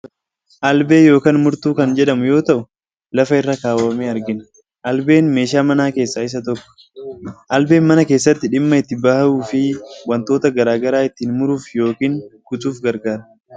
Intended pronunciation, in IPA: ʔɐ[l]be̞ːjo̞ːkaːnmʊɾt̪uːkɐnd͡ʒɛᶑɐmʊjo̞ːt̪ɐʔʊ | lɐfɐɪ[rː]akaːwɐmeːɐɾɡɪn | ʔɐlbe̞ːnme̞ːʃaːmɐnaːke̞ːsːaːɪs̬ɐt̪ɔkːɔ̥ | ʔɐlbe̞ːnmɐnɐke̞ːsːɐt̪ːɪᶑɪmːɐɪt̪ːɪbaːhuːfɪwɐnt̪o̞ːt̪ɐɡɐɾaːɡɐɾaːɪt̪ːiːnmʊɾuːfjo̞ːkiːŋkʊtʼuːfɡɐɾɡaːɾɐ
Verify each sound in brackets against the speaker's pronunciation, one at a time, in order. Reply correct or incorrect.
correct, correct

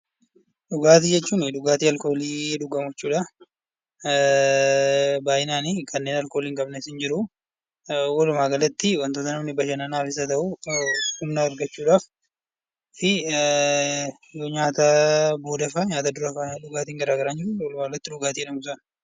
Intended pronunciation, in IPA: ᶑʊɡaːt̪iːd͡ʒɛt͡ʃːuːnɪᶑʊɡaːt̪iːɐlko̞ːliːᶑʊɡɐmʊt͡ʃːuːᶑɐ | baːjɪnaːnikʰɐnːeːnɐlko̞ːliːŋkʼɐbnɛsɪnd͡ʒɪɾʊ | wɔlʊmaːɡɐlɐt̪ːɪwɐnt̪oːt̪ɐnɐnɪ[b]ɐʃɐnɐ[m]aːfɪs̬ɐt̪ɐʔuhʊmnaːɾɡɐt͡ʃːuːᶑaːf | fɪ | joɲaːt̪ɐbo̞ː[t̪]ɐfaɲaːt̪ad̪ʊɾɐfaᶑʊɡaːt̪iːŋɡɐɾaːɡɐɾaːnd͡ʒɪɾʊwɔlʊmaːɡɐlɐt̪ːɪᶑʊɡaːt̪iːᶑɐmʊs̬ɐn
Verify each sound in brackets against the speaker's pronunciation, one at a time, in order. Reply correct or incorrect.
correct, incorrect, incorrect

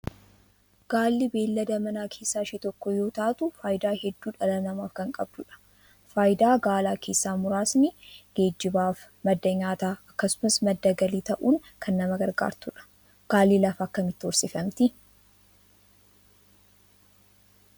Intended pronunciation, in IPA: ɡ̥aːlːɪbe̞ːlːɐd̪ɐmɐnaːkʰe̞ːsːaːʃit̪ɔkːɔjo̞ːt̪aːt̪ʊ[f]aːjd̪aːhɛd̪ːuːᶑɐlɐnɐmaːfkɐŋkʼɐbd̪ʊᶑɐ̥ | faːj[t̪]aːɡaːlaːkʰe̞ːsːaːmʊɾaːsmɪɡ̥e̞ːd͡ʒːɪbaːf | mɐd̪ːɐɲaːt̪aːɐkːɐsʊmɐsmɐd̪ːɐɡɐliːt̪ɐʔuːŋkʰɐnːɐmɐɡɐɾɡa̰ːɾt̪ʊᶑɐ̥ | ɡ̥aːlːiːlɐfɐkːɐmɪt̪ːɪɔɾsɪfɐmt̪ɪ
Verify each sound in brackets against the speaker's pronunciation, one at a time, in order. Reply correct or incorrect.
correct, incorrect

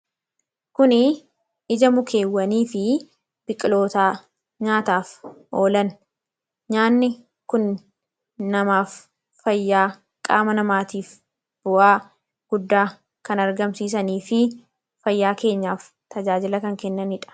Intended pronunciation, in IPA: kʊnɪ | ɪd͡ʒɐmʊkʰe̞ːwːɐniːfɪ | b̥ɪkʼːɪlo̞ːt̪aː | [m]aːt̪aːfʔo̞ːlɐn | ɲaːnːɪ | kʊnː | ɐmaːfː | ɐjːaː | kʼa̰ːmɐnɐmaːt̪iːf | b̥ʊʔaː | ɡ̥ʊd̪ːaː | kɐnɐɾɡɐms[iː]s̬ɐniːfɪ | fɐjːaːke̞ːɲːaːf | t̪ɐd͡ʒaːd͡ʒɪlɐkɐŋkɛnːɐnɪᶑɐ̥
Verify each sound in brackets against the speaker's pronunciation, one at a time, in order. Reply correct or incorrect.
incorrect, correct

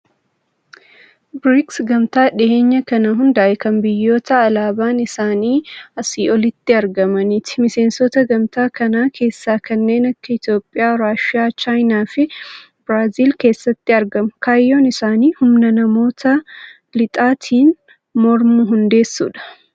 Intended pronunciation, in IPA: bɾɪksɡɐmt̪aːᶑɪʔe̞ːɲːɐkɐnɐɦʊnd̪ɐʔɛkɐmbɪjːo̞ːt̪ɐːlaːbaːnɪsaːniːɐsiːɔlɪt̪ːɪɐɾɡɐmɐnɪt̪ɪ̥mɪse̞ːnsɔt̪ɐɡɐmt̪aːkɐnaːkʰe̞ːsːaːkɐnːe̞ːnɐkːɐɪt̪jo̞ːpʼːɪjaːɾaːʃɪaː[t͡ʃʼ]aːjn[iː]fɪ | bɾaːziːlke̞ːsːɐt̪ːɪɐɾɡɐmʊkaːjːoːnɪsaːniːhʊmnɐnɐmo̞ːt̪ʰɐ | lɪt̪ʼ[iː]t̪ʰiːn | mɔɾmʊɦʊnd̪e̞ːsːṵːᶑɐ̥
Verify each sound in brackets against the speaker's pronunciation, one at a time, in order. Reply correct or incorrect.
incorrect, incorrect, incorrect

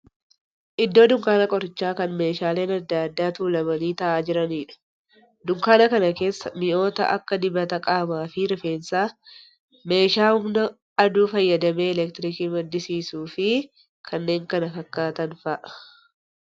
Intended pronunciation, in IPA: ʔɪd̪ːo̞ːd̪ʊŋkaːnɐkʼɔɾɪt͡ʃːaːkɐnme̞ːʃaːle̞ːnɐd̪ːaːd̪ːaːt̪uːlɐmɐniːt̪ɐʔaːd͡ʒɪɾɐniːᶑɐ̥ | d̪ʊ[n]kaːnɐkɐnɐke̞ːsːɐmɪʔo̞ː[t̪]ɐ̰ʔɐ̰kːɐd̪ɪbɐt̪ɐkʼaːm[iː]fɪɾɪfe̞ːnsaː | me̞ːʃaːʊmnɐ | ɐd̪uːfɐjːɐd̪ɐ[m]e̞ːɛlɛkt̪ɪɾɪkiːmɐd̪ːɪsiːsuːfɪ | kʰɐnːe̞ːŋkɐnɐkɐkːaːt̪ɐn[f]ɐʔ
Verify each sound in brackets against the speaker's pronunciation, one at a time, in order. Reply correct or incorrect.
incorrect, correct, incorrect, correct, correct

